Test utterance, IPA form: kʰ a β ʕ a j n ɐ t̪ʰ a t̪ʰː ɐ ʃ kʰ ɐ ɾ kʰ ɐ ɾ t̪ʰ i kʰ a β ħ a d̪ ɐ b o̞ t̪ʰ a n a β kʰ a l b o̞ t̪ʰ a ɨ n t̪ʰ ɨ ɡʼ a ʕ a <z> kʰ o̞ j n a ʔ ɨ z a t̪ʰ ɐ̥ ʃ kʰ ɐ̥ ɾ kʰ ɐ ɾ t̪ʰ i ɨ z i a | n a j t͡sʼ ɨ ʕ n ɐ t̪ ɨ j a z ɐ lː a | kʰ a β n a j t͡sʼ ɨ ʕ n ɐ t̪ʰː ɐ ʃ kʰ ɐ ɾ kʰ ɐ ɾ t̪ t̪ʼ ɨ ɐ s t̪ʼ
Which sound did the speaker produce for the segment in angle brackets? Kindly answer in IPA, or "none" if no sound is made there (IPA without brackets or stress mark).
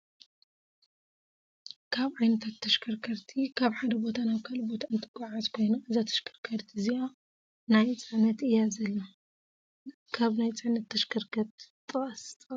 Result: z